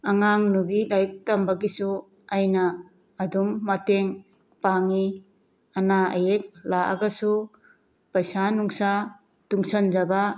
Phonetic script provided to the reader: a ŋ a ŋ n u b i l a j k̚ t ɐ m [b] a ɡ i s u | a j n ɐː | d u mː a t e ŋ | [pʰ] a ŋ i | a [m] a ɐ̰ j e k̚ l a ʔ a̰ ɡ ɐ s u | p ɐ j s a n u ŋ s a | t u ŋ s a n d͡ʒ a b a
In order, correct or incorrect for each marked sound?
correct, incorrect: p, incorrect: n

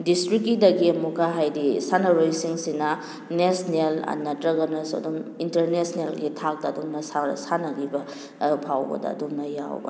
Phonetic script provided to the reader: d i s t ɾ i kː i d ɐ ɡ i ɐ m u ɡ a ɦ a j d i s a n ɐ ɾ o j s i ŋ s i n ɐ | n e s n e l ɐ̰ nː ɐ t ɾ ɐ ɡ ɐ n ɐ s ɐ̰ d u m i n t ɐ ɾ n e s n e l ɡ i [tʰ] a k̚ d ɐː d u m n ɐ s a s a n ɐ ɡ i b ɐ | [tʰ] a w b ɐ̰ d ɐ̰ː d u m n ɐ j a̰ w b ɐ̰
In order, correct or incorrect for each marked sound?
correct, incorrect: pʰ

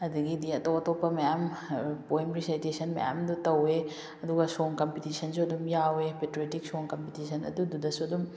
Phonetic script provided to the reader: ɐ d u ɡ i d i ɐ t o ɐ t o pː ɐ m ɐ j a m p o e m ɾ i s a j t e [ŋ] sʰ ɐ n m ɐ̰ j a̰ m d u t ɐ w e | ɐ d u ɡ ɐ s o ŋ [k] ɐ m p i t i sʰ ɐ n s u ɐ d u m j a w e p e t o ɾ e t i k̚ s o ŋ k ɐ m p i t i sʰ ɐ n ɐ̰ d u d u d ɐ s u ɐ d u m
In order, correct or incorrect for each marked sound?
incorrect: none, correct

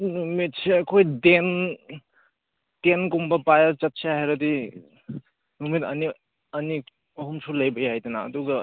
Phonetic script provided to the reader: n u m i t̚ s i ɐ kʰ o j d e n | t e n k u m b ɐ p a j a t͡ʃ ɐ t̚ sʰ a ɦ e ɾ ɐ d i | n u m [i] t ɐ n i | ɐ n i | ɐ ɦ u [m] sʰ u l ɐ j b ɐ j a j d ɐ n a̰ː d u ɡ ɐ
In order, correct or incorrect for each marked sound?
correct, correct

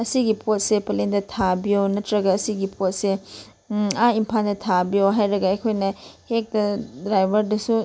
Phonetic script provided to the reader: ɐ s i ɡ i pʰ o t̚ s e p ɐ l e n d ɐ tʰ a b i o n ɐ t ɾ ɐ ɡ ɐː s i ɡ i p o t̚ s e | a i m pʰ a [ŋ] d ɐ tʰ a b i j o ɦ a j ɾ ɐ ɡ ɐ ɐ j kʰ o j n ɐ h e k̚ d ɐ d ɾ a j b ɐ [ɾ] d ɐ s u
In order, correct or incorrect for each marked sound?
incorrect: n, correct

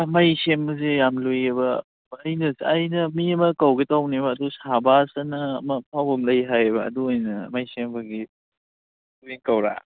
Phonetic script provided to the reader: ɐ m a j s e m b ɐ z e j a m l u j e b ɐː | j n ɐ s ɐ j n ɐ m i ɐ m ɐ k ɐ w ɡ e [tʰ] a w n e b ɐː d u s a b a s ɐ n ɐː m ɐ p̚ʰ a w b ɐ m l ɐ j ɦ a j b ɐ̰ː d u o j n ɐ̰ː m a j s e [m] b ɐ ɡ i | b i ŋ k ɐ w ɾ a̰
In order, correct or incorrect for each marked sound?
incorrect: t, correct

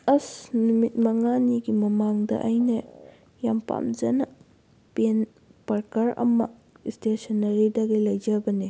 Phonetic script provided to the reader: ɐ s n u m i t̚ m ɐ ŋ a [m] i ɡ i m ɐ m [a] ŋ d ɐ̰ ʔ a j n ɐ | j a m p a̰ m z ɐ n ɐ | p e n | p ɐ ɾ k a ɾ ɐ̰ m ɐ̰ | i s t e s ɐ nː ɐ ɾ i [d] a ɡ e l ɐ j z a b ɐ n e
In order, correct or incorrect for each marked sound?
incorrect: n, correct, correct

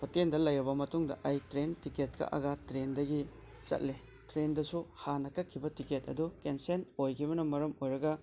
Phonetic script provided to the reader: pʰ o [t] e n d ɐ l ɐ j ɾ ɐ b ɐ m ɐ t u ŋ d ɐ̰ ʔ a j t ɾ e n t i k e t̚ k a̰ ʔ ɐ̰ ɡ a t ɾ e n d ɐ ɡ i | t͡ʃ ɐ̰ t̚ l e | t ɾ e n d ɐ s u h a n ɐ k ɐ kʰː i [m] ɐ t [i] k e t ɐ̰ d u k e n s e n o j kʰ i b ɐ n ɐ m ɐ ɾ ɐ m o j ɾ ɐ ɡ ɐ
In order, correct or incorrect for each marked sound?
correct, incorrect: b, correct

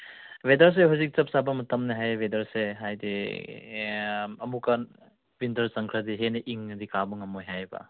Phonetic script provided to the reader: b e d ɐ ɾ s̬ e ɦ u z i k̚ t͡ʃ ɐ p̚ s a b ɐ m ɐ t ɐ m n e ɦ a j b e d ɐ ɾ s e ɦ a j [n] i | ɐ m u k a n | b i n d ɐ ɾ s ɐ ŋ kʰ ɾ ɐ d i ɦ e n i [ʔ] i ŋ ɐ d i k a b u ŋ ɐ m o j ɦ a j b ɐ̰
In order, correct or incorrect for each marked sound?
incorrect: d, correct

